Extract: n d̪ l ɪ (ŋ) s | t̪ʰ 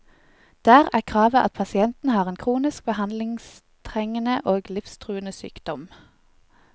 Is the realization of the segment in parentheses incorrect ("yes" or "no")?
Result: no